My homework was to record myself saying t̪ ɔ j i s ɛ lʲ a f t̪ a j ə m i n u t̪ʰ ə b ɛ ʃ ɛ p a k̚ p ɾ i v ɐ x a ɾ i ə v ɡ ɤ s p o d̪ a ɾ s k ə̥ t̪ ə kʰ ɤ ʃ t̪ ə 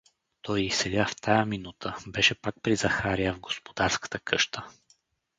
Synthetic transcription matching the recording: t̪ ɔ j i s ɛ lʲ a f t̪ a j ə m i n u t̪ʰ ə b ɛ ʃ ɛ p a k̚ p ɾ i z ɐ x a ɾ i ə v ɡ o s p o d̪ a ɾ s k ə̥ t̪ ə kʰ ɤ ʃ t̪ ə